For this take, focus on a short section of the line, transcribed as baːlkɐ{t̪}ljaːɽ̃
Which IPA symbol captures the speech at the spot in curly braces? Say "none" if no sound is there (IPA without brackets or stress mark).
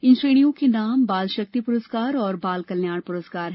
none